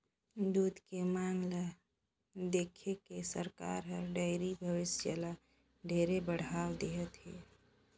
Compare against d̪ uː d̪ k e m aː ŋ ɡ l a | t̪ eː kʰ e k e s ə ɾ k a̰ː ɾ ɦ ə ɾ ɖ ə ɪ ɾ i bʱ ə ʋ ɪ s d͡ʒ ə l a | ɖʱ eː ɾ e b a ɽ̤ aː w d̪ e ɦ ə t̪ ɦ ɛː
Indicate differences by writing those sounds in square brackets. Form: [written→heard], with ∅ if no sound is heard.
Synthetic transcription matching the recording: d̪ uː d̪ k e m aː ŋ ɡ l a | [t̪→d̪] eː kʰ e k e s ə ɾ k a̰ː ɾ ɦ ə ɾ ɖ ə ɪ ɾ i bʱ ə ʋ ɪ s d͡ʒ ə l a | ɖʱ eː ɾ e b [a→ə] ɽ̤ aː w d̪ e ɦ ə t̪ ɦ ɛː